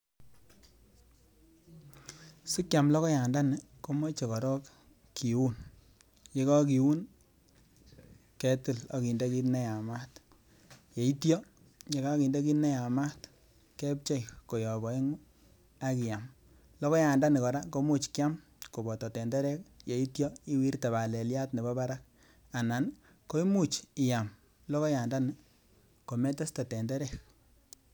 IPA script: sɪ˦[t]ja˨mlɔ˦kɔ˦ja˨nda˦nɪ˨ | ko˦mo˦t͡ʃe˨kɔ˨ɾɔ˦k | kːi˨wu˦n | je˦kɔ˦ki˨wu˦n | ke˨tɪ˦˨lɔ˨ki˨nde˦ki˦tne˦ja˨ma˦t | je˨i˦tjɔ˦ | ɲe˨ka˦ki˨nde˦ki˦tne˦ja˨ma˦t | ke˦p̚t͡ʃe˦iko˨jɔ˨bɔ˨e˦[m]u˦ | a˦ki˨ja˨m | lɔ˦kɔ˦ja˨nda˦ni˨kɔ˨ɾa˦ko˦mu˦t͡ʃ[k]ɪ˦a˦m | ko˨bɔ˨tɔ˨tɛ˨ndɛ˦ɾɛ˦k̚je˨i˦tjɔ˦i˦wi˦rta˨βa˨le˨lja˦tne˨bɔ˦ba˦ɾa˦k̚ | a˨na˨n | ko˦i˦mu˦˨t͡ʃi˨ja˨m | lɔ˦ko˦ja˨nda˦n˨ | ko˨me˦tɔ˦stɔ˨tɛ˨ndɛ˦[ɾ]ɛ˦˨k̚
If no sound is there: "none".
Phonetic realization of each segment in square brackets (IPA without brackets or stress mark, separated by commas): k, ŋ, k, ɾ